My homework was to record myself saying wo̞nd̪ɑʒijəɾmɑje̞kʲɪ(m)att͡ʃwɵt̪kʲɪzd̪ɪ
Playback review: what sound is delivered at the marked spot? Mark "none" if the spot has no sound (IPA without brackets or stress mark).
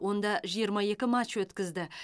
m